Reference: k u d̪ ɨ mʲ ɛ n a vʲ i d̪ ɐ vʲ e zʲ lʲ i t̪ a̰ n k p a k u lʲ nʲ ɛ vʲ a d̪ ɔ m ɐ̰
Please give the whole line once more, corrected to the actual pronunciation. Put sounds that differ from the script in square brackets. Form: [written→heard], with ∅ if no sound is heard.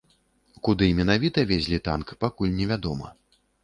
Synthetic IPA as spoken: k u d̪ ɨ mʲ ɛ n a vʲ i [d̪→t̪] ɐ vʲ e zʲ lʲ i t̪ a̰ n k p a k u lʲ nʲ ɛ vʲ a d̪ ɔ m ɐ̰